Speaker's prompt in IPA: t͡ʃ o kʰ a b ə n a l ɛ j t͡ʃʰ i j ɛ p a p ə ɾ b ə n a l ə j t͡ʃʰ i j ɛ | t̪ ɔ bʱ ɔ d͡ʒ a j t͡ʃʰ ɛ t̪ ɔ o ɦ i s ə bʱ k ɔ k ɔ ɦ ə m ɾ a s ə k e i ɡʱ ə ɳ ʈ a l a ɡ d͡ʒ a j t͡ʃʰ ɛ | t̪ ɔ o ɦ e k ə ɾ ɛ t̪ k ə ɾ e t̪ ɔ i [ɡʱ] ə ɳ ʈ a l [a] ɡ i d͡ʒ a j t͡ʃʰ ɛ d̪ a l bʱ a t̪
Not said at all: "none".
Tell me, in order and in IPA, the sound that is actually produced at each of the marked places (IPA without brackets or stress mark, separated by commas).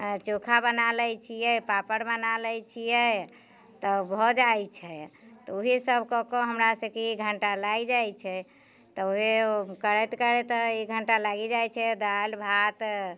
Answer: ɡʱ, a